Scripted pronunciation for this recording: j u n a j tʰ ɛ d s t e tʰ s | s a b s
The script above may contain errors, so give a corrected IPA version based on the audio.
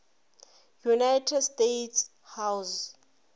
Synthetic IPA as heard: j u n a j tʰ ɛ d s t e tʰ s | h a w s